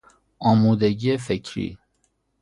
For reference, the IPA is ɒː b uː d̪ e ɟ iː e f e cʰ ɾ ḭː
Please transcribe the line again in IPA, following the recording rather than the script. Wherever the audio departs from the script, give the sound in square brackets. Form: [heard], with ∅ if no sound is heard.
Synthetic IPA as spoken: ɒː [m] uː d̪ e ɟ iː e f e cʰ ɾ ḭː